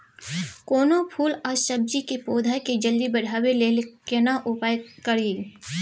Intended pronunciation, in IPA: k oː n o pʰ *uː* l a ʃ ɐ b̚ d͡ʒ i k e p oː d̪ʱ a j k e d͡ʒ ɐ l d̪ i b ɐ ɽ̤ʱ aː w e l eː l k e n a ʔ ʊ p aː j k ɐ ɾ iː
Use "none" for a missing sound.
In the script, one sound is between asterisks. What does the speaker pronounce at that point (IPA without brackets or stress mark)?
uː